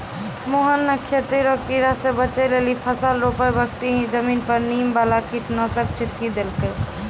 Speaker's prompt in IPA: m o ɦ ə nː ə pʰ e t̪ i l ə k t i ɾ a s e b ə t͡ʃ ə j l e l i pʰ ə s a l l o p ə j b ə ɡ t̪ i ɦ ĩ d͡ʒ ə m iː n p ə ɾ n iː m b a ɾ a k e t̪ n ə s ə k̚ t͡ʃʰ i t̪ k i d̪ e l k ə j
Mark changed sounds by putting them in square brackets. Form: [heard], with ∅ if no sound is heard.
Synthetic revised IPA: m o ɦ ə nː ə [kʰ] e t̪ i [ɾ] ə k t i ɾ a s e b ə t͡ʃ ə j l e l i pʰ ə s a l [ɾ] o p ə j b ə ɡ t̪ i ɦ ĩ d͡ʒ ə m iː n p ə ɾ n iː m b a [l] a k [i] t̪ n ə s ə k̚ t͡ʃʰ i t̪ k i d̪ e l k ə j